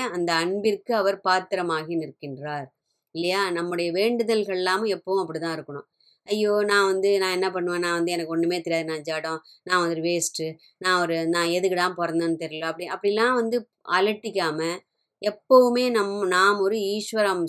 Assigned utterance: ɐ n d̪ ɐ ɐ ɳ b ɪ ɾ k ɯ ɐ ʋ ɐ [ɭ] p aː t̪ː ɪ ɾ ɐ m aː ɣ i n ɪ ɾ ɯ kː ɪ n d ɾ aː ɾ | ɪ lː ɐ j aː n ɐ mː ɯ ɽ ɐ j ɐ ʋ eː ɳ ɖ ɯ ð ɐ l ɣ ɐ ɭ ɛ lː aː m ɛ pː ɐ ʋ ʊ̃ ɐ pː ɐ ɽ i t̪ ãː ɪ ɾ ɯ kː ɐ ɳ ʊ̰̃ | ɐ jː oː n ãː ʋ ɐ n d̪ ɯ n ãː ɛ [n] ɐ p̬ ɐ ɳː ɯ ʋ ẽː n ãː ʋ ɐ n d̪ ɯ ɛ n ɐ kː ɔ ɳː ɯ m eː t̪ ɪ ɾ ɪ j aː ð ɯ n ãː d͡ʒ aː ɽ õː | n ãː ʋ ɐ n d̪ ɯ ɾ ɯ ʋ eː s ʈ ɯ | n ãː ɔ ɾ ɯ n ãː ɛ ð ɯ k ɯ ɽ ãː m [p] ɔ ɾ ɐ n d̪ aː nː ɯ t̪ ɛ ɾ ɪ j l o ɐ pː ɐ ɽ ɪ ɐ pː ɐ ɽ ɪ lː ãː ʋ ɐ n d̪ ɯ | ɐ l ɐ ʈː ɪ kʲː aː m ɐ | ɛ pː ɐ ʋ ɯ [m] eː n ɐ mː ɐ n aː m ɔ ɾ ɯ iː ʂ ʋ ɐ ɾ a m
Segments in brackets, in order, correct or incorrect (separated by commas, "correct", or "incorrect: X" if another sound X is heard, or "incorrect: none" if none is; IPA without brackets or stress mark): incorrect: ɾ, incorrect: nː, correct, correct